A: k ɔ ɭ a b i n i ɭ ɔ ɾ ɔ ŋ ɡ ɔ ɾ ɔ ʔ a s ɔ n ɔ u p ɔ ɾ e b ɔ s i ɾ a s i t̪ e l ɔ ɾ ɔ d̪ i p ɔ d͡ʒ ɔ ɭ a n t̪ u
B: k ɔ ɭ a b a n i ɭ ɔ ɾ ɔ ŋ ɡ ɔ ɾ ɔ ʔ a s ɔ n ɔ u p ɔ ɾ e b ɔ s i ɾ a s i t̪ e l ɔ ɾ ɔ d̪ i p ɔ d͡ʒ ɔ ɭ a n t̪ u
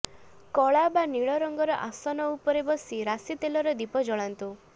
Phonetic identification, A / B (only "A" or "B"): B